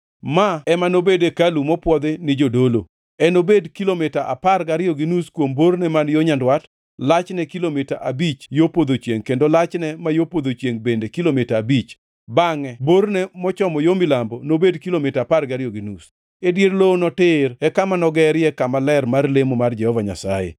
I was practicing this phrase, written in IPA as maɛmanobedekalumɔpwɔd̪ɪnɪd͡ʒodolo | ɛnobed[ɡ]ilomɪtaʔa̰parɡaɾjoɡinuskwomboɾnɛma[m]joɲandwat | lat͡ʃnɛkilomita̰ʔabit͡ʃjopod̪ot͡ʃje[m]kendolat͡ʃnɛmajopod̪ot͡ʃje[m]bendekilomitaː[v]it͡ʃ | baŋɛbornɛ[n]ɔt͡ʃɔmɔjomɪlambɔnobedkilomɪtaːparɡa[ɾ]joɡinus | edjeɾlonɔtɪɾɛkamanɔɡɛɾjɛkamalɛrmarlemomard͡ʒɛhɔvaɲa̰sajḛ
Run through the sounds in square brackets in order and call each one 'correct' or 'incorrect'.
incorrect: k, incorrect: n, incorrect: ŋ, incorrect: ŋ, incorrect: b, incorrect: m, correct

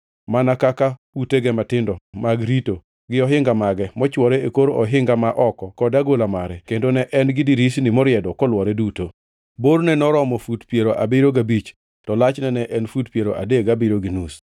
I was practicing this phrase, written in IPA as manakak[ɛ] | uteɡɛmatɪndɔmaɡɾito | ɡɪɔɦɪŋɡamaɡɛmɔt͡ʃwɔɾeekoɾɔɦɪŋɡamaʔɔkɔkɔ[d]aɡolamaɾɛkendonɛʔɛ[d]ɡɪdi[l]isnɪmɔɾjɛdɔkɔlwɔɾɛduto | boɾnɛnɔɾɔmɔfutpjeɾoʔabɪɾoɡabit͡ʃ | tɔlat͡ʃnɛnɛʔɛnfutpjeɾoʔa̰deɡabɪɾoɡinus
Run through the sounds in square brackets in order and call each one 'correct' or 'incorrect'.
incorrect: a, correct, incorrect: n, incorrect: ɾ

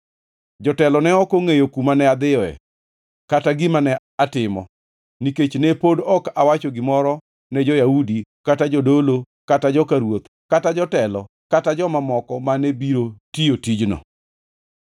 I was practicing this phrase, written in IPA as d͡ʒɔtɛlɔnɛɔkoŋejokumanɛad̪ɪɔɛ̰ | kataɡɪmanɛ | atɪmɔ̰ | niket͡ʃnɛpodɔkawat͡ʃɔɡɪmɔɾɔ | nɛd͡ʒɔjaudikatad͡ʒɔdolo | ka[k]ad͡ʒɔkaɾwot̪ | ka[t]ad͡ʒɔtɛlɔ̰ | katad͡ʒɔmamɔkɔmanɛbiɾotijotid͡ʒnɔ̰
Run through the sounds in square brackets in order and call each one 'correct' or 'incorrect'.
incorrect: t, correct

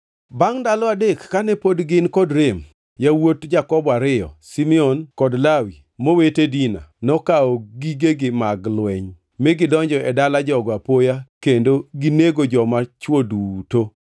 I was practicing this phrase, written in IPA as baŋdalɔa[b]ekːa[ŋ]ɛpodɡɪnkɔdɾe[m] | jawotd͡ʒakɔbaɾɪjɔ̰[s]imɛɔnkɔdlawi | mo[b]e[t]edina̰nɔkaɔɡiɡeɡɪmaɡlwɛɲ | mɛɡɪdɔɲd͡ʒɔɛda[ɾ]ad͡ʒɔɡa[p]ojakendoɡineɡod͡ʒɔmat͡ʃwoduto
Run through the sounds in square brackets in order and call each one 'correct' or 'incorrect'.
incorrect: d, incorrect: n, correct, correct, incorrect: w, correct, incorrect: l, correct

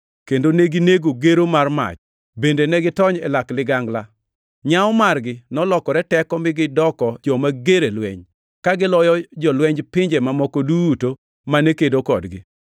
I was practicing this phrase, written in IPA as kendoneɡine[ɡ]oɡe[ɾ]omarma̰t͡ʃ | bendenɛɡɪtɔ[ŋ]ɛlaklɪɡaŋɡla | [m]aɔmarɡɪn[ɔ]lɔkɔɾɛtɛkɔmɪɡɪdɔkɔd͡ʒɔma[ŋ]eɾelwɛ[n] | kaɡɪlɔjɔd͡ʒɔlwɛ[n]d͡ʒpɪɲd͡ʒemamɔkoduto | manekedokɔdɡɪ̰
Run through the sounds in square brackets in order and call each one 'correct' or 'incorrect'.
correct, correct, incorrect: ɲ, incorrect: ɲ, correct, incorrect: ɡ, incorrect: ɲ, incorrect: ɲ

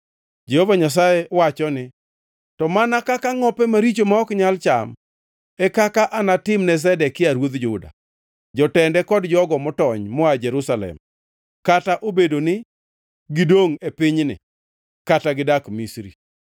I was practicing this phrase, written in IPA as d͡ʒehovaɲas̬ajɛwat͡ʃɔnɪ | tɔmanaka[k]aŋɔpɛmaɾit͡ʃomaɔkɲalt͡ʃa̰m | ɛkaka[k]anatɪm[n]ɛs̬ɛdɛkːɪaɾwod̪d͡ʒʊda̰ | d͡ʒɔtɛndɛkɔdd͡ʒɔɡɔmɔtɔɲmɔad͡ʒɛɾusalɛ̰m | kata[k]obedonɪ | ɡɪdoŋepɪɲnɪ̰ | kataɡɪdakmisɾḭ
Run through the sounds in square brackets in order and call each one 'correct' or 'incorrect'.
correct, incorrect: ʔ, correct, incorrect: ʔ

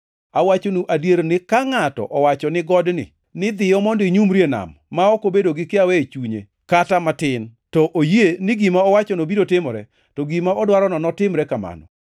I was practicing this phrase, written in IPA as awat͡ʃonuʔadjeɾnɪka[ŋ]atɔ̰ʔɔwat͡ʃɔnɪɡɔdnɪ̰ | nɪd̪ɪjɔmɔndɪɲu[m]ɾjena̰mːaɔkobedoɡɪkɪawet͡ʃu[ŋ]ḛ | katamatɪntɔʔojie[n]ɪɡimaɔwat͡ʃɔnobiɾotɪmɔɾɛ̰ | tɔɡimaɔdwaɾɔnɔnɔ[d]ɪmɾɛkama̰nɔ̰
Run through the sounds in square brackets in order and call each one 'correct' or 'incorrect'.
correct, correct, incorrect: ɲ, correct, incorrect: t

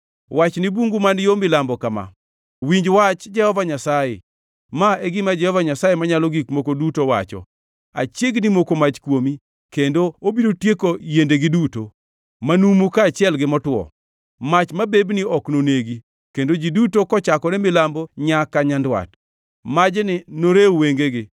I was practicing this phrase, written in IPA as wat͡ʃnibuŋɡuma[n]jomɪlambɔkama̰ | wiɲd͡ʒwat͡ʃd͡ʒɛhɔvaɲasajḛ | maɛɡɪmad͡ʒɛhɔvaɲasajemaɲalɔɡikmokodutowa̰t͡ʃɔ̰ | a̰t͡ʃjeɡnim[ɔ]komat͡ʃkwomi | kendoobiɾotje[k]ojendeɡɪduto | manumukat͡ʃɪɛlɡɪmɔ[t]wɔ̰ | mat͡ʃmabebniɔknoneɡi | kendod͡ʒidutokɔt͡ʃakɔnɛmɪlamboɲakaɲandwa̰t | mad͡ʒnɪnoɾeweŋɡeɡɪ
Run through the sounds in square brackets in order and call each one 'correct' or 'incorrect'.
correct, incorrect: o, correct, correct

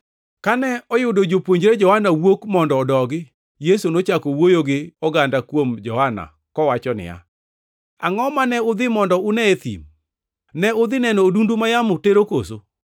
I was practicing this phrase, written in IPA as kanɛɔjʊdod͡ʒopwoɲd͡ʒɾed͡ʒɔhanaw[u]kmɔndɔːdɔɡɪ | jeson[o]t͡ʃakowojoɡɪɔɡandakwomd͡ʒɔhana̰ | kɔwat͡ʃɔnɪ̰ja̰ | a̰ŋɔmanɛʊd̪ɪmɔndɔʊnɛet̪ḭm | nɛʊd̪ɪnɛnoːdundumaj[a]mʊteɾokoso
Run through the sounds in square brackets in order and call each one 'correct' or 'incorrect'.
incorrect: o, correct, correct

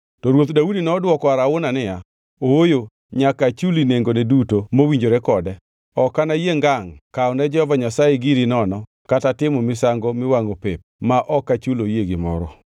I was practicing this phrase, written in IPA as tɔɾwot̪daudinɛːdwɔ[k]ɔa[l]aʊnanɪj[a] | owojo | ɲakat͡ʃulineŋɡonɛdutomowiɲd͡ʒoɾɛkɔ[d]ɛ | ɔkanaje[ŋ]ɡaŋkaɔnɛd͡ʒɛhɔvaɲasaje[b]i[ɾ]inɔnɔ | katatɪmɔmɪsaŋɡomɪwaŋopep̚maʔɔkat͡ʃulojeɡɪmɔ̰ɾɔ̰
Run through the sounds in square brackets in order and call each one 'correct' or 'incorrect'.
correct, incorrect: ɾ, correct, correct, correct, incorrect: ɡ, correct

